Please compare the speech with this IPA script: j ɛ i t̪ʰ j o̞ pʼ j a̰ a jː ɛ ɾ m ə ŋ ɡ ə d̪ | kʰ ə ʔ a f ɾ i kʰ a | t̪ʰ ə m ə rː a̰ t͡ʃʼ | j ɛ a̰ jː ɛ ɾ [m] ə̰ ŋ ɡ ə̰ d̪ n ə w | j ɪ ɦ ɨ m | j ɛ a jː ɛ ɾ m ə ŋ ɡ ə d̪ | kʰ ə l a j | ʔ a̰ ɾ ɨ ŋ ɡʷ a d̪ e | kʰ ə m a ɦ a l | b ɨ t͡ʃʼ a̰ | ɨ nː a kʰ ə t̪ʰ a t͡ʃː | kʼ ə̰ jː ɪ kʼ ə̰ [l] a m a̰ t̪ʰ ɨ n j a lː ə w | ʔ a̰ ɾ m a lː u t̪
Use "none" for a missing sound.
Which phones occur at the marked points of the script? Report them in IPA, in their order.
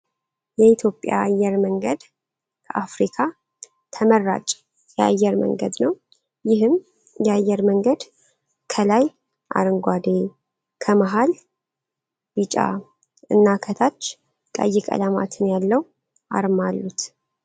m, l

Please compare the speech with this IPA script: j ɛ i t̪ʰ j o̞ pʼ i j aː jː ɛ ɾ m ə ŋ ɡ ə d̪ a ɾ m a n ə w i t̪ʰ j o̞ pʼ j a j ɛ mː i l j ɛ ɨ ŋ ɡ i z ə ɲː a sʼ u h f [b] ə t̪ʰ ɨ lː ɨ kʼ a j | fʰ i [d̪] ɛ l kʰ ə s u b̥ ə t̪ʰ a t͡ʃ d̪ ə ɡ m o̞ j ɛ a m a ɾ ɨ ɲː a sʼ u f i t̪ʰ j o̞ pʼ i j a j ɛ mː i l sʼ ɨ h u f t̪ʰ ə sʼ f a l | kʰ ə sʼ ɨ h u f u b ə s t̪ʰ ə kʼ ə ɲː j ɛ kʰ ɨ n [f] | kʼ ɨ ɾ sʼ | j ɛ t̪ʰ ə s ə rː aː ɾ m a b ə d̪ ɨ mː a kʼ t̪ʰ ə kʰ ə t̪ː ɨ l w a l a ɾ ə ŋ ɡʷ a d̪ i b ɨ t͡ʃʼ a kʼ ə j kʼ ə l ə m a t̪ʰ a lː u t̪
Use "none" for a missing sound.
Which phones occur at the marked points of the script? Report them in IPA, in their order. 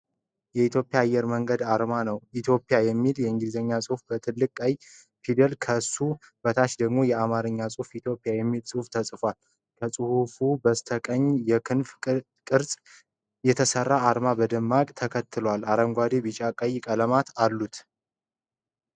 b, d̪, f

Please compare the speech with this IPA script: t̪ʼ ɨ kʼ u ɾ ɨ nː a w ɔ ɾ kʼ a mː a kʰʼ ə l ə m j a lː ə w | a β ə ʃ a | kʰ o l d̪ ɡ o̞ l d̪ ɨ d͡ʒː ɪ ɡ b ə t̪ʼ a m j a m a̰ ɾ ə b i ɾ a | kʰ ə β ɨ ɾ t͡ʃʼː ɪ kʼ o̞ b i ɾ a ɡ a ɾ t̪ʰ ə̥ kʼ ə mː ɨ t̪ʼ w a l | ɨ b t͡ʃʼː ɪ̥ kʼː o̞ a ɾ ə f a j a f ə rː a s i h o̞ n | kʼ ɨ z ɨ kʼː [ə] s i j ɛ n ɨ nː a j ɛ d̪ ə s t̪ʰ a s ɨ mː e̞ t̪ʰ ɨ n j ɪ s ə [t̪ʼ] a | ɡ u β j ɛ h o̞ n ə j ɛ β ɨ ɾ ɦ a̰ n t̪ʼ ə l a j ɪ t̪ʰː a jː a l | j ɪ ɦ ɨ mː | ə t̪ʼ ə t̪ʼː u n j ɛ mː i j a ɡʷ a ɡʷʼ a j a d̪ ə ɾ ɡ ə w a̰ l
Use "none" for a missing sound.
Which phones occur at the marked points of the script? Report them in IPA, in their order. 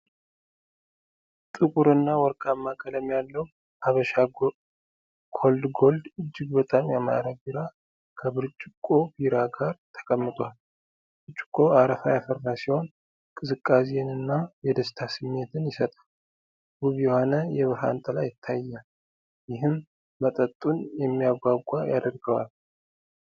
a, t̪ʼ

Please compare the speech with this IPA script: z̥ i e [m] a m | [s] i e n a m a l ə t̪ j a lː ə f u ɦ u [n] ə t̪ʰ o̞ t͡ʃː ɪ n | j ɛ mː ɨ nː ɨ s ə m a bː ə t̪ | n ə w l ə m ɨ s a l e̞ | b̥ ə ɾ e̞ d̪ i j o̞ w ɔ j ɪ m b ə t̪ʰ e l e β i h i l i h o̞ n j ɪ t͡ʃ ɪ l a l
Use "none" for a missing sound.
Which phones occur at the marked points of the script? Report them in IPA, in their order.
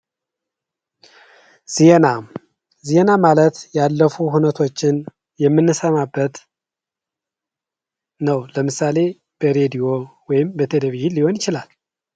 n, z, n

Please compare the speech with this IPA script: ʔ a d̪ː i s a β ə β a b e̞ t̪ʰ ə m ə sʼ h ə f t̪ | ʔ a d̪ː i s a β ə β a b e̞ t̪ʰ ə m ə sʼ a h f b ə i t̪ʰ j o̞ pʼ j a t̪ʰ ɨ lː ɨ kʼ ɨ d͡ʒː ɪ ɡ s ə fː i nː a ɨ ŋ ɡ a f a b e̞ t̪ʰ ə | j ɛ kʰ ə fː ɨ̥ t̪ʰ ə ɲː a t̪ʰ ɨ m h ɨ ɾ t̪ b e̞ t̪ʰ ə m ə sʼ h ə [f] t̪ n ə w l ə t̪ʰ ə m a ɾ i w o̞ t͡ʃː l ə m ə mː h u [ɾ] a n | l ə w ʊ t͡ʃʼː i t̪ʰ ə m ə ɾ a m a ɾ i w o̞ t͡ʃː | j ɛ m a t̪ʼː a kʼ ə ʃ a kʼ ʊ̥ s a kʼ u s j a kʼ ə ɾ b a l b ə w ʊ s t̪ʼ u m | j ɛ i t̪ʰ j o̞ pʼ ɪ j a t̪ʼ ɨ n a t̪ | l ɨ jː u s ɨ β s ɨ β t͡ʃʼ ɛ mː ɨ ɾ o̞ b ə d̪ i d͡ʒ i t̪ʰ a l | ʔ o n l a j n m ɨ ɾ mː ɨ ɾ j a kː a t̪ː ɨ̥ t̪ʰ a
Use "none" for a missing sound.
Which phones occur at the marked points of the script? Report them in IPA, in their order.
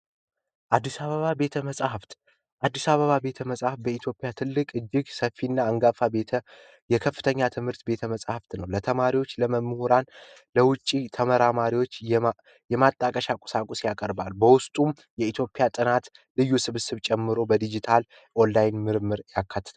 f, ɾ

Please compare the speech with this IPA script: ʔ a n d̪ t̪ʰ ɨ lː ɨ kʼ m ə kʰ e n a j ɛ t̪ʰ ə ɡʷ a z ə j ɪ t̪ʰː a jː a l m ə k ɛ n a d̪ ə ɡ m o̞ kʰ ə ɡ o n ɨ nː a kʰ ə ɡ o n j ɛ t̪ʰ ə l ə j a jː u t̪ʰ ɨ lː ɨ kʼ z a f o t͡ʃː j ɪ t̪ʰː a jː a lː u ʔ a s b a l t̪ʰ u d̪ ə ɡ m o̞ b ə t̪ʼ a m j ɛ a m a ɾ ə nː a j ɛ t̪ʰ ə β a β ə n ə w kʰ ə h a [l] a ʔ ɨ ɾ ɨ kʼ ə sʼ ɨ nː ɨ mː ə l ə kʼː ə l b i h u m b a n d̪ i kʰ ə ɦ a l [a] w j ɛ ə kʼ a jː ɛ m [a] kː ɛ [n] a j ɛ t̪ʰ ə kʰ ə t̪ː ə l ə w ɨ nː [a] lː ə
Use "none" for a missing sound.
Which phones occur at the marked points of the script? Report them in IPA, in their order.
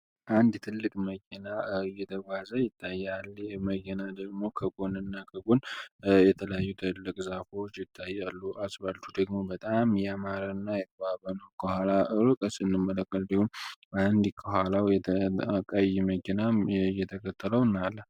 l, a, ə, n, a

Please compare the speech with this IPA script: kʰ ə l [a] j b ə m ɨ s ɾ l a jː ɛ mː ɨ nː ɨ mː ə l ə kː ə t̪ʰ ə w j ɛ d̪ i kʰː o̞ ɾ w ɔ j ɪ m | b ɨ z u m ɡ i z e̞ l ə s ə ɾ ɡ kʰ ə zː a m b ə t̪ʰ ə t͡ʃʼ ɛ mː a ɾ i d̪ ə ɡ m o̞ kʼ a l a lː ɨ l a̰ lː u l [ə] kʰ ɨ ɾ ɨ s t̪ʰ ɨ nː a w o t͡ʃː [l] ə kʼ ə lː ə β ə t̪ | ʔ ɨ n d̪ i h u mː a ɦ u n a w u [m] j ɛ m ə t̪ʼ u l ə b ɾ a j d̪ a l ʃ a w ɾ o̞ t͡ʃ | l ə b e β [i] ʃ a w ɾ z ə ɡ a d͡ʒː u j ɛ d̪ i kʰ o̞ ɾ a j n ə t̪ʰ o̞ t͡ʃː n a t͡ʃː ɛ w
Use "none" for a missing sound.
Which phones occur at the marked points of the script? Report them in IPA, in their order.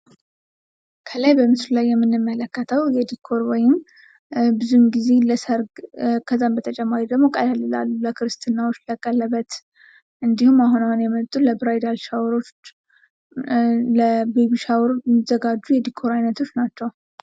a, ə, l, n, i

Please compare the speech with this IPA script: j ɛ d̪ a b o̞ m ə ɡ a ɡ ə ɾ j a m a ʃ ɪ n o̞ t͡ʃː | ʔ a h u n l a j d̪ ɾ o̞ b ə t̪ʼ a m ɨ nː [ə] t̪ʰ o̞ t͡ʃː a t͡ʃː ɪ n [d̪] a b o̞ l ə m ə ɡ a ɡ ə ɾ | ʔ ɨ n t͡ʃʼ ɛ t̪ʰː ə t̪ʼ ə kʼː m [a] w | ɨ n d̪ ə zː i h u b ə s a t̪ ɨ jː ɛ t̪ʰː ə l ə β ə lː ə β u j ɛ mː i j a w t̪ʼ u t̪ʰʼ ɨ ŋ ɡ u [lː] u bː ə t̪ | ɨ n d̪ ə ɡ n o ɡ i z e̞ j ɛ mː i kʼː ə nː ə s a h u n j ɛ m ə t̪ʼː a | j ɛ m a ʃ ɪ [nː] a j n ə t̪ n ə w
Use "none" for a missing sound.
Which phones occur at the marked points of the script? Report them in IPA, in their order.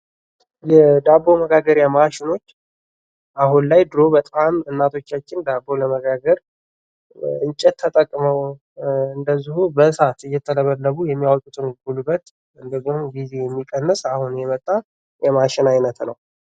a, d̪, ə, l, n

